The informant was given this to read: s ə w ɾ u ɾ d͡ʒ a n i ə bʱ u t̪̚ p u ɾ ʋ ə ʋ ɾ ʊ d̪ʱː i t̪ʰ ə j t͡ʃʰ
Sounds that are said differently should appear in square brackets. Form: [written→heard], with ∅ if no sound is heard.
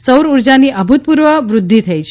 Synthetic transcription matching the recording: s ə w ɾ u ɾ d͡ʒ a n i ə bʱ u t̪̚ p u ɾ ʋ ə ʋ ɾ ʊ d̪ʱː i t̪ʰ ə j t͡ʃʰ